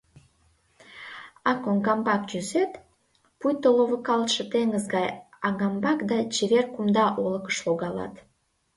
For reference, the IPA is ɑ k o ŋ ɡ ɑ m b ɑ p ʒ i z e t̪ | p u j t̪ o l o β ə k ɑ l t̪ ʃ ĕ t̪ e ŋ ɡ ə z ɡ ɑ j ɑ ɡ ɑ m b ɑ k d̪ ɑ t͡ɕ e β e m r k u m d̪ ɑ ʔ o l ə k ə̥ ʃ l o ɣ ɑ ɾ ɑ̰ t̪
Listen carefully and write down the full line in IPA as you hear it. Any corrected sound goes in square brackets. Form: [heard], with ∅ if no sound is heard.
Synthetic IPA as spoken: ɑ k o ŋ ɡ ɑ m b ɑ [k] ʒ [y] z e t̪ | p u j t̪ o l o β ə k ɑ l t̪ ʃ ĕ t̪ e ŋ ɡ ə z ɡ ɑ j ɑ ɡ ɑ m b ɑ k d̪ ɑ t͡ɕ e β e [∅] r k u m d̪ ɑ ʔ o l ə k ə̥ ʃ l o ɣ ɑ [l] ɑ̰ t̪